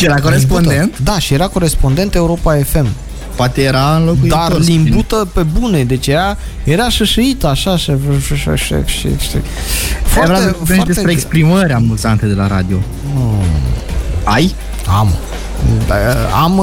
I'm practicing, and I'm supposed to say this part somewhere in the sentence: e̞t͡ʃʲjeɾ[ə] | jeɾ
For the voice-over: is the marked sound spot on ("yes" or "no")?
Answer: no